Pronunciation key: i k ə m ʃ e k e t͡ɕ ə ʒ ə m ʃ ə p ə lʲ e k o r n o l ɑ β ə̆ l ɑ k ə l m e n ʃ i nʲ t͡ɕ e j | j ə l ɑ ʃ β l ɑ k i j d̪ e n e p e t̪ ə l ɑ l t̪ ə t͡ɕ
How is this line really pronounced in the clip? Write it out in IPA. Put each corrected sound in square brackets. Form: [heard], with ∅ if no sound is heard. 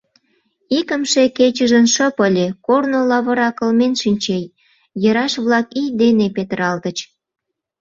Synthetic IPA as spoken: i k ə m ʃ e k e t͡ɕ ə ʒ ə [n] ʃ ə p ə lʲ e k o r n o l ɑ β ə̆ [ɾ] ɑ k ə l m e n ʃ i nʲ t͡ɕ e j | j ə [ɾ] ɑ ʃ β l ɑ k i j d̪ e n e p e t̪ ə [ɾ] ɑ l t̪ ə t͡ɕ